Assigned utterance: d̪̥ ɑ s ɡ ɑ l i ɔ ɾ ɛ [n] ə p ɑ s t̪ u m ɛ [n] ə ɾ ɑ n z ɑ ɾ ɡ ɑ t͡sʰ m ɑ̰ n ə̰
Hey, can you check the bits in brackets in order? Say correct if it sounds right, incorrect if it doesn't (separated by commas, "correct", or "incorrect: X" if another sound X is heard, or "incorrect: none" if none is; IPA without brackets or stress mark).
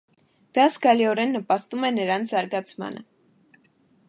incorrect: nː, correct